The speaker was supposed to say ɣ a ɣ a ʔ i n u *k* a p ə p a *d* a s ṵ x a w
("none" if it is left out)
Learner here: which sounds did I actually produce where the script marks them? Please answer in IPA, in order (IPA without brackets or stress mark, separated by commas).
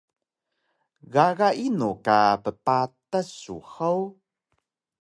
k, t